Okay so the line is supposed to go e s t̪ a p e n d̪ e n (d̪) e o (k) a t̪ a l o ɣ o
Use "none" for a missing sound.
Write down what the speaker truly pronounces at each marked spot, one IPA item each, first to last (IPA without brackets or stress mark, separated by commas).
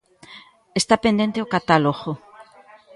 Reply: t̪, k